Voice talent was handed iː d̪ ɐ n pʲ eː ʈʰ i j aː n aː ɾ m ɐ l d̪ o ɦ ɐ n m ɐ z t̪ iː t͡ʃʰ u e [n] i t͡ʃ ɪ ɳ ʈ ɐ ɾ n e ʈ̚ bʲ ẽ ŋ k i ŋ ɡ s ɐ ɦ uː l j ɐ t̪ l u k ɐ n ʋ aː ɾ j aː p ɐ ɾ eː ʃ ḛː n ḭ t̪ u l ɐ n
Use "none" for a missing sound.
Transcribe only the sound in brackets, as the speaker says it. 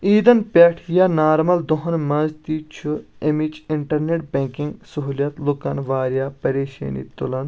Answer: m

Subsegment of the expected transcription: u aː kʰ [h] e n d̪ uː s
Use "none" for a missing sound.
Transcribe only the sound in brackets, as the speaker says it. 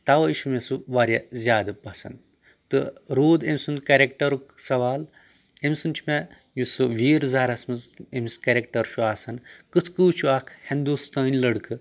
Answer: h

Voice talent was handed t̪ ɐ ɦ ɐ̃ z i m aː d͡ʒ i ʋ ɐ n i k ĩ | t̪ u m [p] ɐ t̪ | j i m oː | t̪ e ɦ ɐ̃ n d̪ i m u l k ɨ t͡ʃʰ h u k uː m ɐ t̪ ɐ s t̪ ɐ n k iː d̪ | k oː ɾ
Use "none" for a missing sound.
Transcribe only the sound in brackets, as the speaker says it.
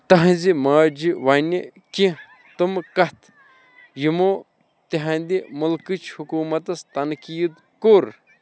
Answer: k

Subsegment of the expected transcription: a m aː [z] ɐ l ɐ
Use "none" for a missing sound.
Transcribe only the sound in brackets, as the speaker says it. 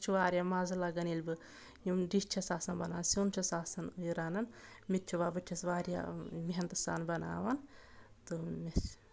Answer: z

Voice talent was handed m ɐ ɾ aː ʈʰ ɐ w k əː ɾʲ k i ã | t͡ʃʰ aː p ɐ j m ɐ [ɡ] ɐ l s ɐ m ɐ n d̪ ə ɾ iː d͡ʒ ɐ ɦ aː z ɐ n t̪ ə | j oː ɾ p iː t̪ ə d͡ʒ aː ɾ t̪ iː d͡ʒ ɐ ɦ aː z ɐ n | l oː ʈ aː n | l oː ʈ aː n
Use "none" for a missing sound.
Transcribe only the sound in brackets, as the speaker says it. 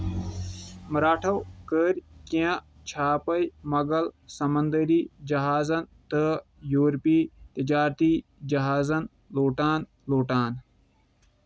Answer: ɡ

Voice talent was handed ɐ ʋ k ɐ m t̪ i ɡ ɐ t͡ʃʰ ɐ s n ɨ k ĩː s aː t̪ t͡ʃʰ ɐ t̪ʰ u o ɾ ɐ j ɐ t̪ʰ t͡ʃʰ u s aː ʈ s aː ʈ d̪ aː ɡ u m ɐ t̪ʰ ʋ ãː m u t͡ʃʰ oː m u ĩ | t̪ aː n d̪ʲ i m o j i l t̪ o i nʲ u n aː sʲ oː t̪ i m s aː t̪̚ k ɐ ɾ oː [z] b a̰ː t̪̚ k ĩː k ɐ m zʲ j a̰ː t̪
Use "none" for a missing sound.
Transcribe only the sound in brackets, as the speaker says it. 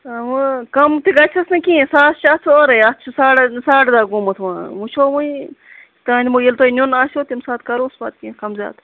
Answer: s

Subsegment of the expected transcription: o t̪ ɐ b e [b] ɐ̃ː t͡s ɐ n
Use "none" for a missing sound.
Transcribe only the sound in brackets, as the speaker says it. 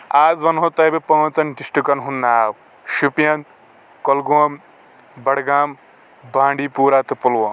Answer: p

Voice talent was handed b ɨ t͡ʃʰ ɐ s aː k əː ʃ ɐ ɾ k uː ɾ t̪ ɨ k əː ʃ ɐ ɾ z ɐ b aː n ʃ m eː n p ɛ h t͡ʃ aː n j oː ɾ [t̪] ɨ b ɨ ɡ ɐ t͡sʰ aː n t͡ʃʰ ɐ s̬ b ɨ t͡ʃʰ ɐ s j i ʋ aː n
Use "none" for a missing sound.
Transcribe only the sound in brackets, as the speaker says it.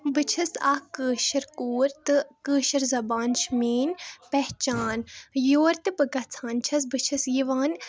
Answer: t̪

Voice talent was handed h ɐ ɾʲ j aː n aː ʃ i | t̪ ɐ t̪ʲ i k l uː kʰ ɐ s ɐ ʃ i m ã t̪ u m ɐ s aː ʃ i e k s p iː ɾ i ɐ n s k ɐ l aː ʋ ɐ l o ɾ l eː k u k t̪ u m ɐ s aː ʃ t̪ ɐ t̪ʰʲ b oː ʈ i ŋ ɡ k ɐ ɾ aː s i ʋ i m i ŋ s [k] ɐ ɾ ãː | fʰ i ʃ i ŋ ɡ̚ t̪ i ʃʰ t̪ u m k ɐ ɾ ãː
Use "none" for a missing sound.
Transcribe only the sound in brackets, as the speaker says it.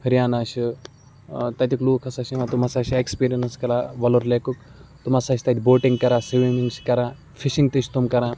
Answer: k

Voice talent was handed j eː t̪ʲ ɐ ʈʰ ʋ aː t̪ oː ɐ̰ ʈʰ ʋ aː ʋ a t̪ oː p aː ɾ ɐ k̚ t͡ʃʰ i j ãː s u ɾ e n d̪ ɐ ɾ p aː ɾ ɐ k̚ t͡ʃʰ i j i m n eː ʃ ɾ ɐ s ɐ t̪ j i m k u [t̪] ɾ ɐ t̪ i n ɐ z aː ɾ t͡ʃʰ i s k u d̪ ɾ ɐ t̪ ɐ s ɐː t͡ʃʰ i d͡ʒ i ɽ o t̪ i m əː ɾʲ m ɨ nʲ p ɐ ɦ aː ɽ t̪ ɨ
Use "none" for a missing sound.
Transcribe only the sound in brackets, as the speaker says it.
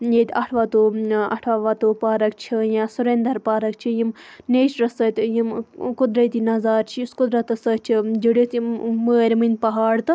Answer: d̪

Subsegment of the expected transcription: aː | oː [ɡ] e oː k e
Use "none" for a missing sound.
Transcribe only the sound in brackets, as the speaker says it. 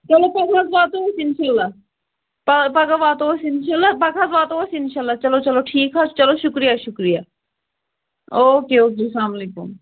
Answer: k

